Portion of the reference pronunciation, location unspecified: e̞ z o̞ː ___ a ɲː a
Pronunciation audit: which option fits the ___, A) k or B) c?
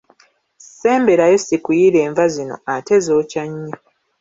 B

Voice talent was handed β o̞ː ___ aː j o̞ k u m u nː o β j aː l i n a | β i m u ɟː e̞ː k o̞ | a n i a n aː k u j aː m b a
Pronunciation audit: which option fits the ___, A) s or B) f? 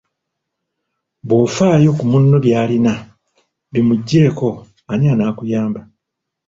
B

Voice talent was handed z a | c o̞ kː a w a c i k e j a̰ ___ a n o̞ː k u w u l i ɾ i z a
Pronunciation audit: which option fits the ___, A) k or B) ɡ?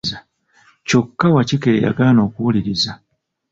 B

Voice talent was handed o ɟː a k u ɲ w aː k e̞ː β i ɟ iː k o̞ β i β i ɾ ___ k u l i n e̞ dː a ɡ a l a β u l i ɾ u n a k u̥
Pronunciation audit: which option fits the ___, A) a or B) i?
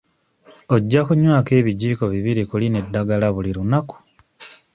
B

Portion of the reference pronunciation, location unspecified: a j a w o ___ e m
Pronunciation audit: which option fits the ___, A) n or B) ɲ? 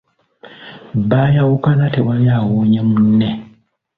B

